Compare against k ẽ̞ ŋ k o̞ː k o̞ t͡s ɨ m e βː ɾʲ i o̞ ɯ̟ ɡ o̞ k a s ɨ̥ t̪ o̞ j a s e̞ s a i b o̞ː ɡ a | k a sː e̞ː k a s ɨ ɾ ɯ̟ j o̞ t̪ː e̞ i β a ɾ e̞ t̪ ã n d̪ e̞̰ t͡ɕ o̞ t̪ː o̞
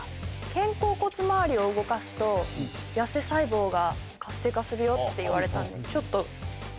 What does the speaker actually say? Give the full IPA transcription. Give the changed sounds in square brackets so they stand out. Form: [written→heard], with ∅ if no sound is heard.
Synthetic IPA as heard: k ẽ̞ ŋ k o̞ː k o̞ t͡s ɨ m [e→a] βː ɾʲ i o̞ ɯ̟ ɡ o̞ k a s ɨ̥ t̪ o̞ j a s e̞ s a i b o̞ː ɡ a | k a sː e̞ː k a s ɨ ɾ ɯ̟ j o̞ t̪ː e̞ i β a ɾ e̞ t̪ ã n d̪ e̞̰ t͡ɕ o̞ t̪ː o̞

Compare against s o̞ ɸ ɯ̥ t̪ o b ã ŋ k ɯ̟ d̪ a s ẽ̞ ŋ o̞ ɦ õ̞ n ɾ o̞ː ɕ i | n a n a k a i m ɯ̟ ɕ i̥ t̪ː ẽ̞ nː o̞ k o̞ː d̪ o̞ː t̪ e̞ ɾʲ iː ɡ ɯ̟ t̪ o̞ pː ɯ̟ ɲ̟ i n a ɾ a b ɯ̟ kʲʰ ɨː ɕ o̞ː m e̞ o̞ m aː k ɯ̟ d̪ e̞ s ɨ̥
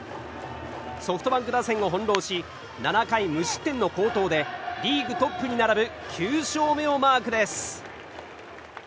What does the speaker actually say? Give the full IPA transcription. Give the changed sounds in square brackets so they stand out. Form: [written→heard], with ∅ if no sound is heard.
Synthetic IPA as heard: s o̞ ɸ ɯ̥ t̪ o b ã ŋ k ɯ̟ d̪ a s ẽ̞ ŋ o̞ ɦ õ̞ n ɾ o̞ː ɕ i | n a n a k a i m ɯ̟ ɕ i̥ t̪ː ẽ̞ nː o̞ k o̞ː [d̪→t̪] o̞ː [t̪→d̪] e̞ ɾʲ iː ɡ ɯ̟ t̪ o̞ pː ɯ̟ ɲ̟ i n a ɾ a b ɯ̟ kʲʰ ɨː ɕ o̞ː m e̞ o̞ m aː k ɯ̟ d̪ e̞ s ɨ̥

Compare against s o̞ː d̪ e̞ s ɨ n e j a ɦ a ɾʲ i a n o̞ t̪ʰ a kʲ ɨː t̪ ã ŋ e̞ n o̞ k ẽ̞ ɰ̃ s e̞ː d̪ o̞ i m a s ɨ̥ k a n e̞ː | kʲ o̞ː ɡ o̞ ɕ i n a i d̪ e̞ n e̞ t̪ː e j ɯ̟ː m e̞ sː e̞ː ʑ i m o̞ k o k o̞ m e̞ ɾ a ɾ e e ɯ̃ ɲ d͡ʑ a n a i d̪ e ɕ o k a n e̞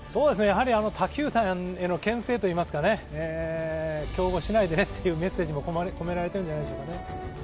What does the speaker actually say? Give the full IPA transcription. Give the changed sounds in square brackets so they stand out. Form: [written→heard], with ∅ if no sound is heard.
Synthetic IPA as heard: s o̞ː d̪ e̞ s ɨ n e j a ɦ a ɾʲ i a n o̞ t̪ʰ a kʲ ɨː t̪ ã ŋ e̞ n o̞ k ẽ̞ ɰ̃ s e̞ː [d̪→t̪] o̞ [i→iː] m a s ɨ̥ k a n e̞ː | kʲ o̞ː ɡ o̞ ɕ i n a i d̪ e̞ n e̞ t̪ː e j ɯ̟ː m e̞ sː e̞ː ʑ i m o̞ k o k o̞ m e̞ ɾ a ɾ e e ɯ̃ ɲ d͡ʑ a n a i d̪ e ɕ o k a n e̞

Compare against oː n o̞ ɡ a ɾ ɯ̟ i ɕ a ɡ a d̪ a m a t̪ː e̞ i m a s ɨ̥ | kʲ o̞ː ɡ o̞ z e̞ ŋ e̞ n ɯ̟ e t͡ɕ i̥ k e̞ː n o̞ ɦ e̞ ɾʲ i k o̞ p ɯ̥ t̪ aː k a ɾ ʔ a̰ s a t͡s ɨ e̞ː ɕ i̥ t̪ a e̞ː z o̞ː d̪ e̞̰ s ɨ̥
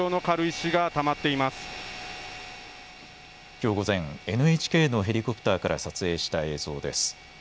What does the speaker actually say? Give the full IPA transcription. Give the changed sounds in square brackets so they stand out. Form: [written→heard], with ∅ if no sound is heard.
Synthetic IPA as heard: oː n o̞ [ɡ→k] a ɾ ɯ̟ i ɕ [a→i] ɡ a [d̪→t̪] a m a t̪ː e̞ i m a s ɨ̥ | kʲ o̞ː ɡ o̞ z [e̞→ẽ̞] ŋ e̞ n ɯ̟ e t͡ɕ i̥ k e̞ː n o̞ ɦ e̞ ɾʲ i k o̞ p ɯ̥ t̪ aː k a ɾ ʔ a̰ s a t͡s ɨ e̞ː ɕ i̥ t̪ a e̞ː z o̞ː d̪ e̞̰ s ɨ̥

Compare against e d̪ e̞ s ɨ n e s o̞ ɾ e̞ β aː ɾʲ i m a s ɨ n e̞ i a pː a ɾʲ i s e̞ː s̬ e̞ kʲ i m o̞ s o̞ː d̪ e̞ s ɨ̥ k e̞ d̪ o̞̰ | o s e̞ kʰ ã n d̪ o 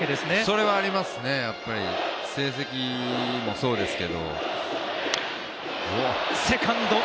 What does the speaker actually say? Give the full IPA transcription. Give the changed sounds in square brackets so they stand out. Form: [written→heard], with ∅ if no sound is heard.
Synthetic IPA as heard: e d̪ e̞ s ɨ n e s o̞ ɾ e̞ β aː ɾʲ i m a s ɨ n e̞ [i→j] a pː a ɾʲ i s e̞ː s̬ e̞ kʲ i m o̞ s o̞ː d̪ e̞ s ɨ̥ k e̞ d̪ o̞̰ | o s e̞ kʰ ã n d̪ o

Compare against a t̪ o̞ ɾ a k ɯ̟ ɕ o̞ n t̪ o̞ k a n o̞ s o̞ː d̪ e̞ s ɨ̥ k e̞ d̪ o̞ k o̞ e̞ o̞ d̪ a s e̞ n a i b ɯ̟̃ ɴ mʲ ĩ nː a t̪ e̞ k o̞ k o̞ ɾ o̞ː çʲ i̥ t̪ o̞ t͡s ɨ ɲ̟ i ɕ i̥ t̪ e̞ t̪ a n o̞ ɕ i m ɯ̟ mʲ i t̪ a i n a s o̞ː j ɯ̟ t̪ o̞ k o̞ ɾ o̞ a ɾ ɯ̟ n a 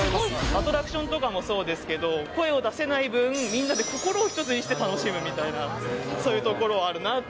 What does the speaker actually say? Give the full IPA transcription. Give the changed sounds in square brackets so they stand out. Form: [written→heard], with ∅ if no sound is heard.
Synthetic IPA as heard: a t̪ o̞ ɾ a k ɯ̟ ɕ [o̞→õ̞] n t̪ o̞ k a [n→m] o̞ s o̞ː d̪ e̞ s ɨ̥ k e̞ d̪ o̞ k o̞ e̞ o̞ d̪ a s e̞ n a i b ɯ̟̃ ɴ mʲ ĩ nː a [t̪→d̪] e̞ k o̞ k o̞ ɾ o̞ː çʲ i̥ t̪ o̞ t͡s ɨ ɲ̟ i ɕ i̥ t̪ e̞ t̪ a n o̞ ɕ i m ɯ̟ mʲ i t̪ a i n a s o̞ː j ɯ̟ t̪ o̞ k o̞ ɾ o̞ a ɾ ɯ̟ n a

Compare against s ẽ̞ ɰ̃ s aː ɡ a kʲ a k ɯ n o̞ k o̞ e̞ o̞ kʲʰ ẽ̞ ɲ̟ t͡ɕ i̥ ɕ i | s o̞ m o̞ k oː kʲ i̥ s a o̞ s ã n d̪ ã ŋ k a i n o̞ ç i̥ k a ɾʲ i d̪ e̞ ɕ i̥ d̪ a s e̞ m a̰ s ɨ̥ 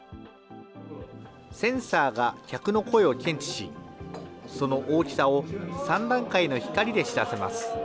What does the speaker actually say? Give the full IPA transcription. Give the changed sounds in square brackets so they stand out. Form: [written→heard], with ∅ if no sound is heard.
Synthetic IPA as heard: s ẽ̞ ɰ̃ s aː ɡ a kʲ a k ɯ n o̞ k o̞ e̞ o̞ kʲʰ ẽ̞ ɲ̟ t͡ɕ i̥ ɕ i | s o̞ [m→n] o̞ [k→ʔ] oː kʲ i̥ s a o̞ s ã n d̪ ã ŋ k a i n o̞ ç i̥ k a ɾʲ i d̪ e̞ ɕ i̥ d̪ a s e̞ m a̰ s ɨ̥

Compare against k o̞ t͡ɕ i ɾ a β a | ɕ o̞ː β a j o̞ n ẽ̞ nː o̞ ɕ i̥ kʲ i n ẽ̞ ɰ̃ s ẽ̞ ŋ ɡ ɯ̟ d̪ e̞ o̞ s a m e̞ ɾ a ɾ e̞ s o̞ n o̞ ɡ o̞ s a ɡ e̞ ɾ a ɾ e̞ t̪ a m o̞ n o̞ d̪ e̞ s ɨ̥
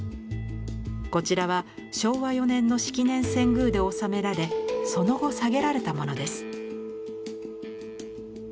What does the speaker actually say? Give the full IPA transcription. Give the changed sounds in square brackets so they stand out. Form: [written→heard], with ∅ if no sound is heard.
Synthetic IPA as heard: k o̞ t͡ɕ i ɾ a β a | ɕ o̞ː β a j o̞ n ẽ̞ nː o̞ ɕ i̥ kʲ i n ẽ̞ ɰ̃ s ẽ̞ ŋ ɡ [ɯ̟→ɯ̟ː] d̪ e̞ o̞ s a m e̞ ɾ a ɾ e̞ s o̞ n o̞ ɡ o̞ s a ɡ e̞ ɾ a ɾ e̞ t̪ a m o̞ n o̞ d̪ e̞ s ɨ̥

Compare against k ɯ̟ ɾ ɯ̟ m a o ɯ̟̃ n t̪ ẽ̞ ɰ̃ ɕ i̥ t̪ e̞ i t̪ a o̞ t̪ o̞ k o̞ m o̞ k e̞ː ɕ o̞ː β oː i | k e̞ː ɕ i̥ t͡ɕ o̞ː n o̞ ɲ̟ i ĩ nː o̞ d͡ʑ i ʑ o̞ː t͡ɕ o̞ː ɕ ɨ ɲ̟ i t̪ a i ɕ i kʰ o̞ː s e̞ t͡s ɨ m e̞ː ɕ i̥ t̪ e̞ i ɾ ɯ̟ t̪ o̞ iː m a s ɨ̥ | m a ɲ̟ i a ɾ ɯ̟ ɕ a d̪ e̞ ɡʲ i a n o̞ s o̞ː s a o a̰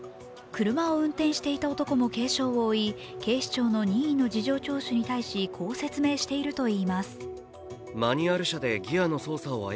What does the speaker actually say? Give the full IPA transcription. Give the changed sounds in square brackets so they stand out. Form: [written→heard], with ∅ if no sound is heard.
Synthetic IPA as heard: k ɯ̟ ɾ ɯ̟ m a o ɯ̟̃ n t̪ ẽ̞ ɰ̃ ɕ i̥ t̪ e̞ i t̪ a o̞ t̪ o̞ k o̞ m o̞ k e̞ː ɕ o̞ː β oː i | k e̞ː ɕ i̥ t͡ɕ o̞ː n o̞ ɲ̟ i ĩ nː o̞ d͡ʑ i ʑ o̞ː t͡ɕ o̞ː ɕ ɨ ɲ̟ i t̪ a i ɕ i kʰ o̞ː s e̞ t͡s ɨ m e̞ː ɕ i̥ t̪ e̞ i ɾ ɯ̟ t̪ o̞ iː m a s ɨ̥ | m a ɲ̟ i a ɾ ɯ̟ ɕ a d̪ e̞ ɡʲ i a n o̞ s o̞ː s a o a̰

